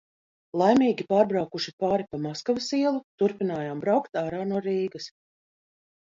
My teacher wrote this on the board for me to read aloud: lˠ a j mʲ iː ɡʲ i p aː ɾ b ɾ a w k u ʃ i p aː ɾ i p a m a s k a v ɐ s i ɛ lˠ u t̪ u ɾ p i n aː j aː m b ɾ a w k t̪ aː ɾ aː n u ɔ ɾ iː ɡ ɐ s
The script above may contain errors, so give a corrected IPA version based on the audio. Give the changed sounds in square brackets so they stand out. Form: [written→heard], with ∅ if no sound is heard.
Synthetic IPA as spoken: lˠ a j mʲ iː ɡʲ i p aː ɾ b ɾ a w k u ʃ i p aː ɾ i p a m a s k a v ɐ s i ɛ lˠ u t̪ u ɾ p i n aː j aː m b ɾ a w k t̪ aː ɾ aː n u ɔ ɾ iː ɡ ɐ s